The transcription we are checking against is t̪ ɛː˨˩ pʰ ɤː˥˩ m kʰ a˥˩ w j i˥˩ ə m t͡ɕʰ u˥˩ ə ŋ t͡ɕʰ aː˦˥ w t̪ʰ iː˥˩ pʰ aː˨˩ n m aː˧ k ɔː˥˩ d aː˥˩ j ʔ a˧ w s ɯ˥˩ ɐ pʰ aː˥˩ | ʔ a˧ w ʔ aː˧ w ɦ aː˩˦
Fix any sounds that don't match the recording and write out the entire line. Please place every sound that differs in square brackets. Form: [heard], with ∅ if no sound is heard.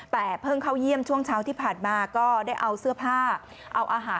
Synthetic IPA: t̪ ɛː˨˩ pʰ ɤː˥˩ [ŋ] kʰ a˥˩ w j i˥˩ ə m t͡ɕʰ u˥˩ ə ŋ t͡ɕʰ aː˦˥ w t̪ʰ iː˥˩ pʰ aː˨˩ n m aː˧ k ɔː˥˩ d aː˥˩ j ʔ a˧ w s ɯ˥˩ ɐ pʰ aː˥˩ | ʔ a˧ w ʔ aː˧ [∅] ɦ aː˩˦